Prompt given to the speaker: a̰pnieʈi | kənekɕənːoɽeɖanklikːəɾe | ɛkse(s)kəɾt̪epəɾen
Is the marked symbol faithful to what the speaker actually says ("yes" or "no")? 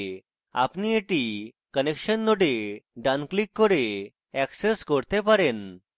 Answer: yes